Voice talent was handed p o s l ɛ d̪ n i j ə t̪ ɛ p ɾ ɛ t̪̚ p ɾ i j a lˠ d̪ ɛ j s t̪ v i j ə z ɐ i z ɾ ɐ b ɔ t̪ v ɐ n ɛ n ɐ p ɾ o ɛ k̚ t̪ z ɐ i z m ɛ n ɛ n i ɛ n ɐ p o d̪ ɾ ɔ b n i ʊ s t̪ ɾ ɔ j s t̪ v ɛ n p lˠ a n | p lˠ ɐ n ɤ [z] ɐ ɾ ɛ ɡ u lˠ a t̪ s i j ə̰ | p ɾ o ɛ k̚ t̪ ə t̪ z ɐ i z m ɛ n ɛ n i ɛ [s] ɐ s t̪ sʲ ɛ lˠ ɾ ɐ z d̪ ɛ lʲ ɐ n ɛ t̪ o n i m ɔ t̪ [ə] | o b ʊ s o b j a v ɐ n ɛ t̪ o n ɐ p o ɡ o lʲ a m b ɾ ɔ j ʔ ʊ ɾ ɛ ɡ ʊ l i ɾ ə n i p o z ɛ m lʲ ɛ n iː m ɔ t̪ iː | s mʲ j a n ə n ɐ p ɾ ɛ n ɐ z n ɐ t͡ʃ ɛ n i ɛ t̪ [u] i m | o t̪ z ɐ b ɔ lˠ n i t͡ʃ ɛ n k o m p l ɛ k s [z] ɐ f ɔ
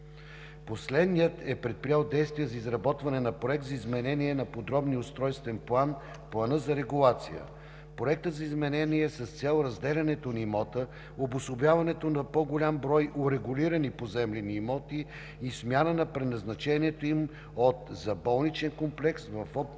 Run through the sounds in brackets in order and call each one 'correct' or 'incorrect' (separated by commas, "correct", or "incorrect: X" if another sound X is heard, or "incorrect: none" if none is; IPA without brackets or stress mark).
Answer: correct, correct, correct, incorrect: o, incorrect: v